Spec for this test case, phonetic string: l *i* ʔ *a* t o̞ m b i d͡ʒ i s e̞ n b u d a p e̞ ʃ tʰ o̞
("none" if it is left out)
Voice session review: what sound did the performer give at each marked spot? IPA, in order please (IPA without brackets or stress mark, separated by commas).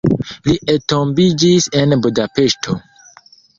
i, e